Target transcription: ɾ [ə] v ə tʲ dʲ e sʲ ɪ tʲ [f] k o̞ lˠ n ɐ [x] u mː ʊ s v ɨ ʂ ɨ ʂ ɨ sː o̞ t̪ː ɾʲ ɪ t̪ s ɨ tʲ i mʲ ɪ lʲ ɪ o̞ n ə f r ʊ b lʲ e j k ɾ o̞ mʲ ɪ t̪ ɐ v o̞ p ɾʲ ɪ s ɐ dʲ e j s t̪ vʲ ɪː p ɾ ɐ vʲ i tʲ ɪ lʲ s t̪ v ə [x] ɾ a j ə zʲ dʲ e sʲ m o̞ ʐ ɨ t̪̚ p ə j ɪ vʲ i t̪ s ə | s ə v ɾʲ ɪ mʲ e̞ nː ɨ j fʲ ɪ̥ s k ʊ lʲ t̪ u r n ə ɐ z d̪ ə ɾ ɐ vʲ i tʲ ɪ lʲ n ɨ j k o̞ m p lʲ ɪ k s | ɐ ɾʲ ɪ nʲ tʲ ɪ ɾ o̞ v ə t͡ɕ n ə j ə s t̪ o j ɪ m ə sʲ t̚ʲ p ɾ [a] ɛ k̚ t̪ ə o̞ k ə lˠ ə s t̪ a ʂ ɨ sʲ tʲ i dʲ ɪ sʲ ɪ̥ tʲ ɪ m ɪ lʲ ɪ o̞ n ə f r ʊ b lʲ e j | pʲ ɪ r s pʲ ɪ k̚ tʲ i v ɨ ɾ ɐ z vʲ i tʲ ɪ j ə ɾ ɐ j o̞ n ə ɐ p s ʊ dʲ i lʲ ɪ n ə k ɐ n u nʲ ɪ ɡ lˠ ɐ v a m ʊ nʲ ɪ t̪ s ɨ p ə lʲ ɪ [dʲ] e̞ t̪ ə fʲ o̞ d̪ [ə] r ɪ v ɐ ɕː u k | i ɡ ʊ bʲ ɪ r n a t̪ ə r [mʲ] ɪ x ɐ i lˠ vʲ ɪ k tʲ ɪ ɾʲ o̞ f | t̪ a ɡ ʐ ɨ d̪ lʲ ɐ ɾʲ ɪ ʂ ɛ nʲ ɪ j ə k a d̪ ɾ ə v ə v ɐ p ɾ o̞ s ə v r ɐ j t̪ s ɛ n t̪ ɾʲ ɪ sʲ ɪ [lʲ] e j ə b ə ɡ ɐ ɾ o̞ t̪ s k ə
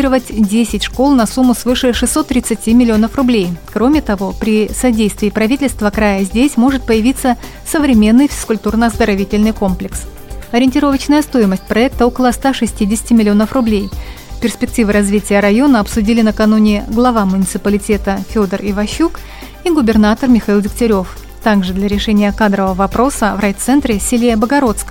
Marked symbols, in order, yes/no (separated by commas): yes, no, no, no, no, no, yes, yes, yes